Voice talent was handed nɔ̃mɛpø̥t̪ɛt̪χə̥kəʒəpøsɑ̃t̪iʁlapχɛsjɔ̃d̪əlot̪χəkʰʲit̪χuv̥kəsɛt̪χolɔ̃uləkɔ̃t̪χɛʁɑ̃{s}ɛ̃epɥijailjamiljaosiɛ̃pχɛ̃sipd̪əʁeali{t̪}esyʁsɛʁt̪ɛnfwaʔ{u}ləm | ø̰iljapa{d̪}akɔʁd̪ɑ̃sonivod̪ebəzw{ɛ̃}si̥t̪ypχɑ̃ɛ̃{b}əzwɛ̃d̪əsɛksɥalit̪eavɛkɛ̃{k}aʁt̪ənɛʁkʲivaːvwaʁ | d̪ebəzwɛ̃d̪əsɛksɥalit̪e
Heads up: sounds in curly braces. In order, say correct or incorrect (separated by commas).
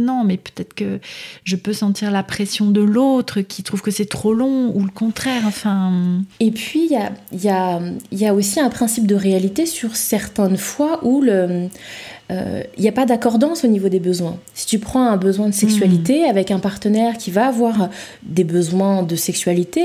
incorrect, correct, correct, correct, correct, correct, incorrect